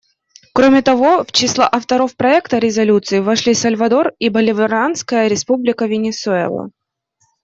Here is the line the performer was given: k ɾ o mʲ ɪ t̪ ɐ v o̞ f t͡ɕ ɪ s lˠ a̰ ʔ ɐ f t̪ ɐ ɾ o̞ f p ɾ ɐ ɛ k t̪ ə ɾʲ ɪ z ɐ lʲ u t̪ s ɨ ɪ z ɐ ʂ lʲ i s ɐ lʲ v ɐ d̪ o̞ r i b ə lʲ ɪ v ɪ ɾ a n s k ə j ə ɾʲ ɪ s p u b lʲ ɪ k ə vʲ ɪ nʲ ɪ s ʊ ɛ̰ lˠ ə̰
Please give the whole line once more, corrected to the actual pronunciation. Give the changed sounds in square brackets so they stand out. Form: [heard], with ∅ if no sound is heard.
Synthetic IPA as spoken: k ɾ o mʲ ɪ t̪ ɐ v o̞ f t͡ɕ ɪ s lˠ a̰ ʔ ɐ f t̪ ɐ ɾ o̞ f p ɾ ɐ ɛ k t̪ ə ɾʲ ɪ z ɐ lʲ u t̪ s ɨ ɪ [v] ɐ ʂ lʲ i s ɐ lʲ v ɐ d̪ o̞ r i b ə lʲ ɪ v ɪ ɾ a n s k ə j ə ɾʲ ɪ s p u b lʲ ɪ k ə vʲ ɪ nʲ ɪ s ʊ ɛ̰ lˠ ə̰